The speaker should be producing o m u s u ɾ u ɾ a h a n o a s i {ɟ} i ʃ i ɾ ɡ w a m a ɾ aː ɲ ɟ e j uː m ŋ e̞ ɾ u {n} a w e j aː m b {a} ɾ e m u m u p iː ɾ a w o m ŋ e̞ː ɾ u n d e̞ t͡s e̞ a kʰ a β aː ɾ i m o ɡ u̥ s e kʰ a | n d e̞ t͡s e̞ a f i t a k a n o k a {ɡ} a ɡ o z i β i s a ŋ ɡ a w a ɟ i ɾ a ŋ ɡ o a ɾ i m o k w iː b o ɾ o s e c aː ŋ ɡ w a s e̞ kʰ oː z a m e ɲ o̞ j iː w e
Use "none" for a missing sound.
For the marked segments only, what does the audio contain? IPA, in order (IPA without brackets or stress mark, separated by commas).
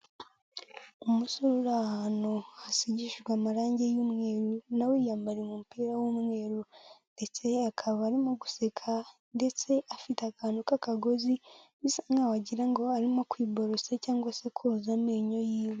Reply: ɟ, n, a, k